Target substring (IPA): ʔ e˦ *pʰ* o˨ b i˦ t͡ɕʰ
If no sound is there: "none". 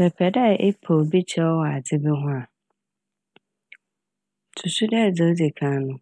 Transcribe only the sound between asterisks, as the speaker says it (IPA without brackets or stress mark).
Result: pʰ